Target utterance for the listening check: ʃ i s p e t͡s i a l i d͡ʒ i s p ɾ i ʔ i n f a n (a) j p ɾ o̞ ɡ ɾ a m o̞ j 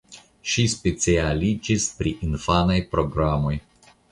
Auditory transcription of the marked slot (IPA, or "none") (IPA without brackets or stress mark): a